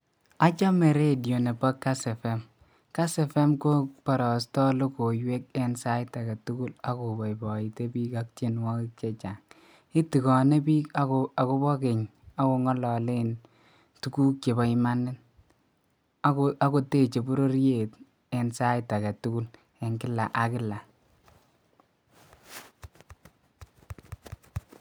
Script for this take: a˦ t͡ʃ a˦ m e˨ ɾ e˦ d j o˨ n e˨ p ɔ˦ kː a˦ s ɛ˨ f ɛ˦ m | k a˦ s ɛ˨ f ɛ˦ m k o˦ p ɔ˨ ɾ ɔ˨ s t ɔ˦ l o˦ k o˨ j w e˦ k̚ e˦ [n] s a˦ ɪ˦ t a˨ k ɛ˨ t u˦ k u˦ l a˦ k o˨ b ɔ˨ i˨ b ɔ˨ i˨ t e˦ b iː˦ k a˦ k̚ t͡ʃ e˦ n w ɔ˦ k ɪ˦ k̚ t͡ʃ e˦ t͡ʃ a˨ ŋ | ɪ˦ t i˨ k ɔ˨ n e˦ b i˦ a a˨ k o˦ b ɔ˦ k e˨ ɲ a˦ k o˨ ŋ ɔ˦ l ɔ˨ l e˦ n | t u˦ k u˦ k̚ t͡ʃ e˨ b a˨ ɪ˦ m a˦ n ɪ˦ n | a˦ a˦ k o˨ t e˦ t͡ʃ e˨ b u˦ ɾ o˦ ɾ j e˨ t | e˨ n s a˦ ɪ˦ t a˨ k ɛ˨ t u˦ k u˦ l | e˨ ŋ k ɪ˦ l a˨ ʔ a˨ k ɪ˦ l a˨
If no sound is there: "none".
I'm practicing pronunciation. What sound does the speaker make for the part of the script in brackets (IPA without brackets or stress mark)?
n